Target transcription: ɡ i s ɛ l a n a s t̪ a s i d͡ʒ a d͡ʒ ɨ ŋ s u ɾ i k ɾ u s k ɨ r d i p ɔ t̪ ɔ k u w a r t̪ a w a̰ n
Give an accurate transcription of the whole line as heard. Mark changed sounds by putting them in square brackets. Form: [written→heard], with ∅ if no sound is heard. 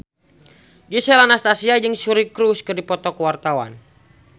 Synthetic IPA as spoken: ɡ i s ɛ l a n a s t̪ a s i [d͡ʒ→∅] a d͡ʒ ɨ ŋ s u ɾ i k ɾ u s k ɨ r d i p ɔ t̪ ɔ k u w a r t̪ a w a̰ n